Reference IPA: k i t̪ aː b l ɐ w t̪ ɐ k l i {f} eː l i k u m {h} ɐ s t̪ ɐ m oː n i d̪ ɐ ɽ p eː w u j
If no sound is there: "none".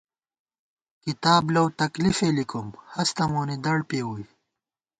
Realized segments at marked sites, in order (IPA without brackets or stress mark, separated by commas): f, h